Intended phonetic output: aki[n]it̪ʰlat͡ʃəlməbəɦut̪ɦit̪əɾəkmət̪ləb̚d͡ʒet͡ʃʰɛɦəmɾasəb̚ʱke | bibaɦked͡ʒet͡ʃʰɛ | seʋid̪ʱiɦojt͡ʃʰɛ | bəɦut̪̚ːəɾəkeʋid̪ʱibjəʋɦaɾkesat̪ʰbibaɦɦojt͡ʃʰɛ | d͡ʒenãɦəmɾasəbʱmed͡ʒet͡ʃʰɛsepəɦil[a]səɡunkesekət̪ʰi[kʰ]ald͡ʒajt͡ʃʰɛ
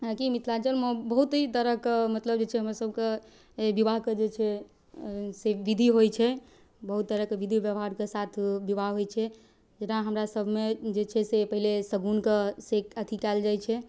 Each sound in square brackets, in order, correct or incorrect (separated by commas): incorrect, incorrect, incorrect